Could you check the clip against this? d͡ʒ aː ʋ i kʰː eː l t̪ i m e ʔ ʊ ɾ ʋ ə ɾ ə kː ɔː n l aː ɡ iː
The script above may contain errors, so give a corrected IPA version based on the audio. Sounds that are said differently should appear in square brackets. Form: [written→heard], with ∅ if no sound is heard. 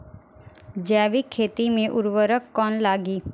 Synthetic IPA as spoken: d͡ʒ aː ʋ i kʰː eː [l→∅] t̪ i m [e→ẽ] ʔ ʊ ɾ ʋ ə ɾ ə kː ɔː n l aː ɡ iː